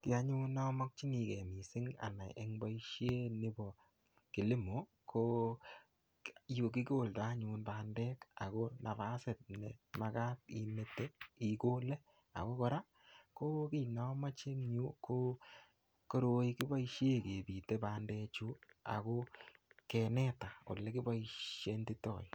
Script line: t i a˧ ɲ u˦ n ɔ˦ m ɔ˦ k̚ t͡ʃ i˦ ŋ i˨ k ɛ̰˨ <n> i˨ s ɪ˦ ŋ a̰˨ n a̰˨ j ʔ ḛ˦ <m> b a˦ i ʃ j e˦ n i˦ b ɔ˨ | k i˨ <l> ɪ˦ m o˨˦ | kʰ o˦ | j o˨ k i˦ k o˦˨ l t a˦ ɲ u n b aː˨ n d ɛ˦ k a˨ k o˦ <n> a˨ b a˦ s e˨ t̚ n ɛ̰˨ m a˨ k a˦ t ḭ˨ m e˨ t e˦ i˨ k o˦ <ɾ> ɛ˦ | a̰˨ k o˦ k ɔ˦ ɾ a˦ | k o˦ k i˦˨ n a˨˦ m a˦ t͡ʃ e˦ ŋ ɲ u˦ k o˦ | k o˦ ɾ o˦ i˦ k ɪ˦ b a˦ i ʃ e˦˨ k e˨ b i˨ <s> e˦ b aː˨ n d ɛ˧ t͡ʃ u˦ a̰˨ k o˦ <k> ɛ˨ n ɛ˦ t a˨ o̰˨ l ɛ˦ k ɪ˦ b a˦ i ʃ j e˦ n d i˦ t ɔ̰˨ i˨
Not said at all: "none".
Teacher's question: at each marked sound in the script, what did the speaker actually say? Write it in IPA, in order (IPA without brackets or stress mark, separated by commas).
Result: m, ŋ, l, n, l, t, k